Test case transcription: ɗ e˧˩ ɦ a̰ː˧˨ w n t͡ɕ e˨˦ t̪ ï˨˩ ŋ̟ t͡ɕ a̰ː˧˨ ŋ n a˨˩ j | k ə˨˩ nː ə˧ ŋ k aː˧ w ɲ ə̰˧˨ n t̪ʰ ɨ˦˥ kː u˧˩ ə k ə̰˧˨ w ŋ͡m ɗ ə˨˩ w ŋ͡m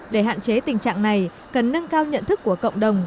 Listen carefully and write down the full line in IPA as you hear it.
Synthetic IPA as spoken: ɗ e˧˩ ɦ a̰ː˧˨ n t͡ɕ e˨˦ t̪ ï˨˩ ŋ̟ t͡ɕ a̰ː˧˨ ŋ n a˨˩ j | k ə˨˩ nː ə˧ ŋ k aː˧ w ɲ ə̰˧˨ n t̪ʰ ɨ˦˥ kː u˧˩ ə k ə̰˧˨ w ŋ͡m ɗ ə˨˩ w ŋ͡m

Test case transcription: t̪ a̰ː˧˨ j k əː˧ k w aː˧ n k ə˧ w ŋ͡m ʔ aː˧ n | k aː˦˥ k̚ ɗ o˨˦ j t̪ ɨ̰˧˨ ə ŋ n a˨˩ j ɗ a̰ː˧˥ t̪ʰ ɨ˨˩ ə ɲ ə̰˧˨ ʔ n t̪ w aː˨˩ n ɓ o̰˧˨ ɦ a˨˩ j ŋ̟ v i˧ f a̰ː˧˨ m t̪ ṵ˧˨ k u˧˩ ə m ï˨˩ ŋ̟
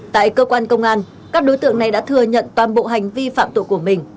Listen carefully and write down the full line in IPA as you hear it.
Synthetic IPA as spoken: t̪ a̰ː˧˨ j k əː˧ k w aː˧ n k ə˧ w ŋ͡m ʔ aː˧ n | k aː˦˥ k̚ ɗ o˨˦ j t̪ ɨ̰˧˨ ə ŋ n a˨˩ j ɗ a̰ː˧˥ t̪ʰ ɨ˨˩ ə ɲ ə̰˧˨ n t̪ w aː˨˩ n ɓ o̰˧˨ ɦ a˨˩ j ŋ̟ v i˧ f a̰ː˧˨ m t̪ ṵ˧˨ k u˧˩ ə m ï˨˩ ŋ̟

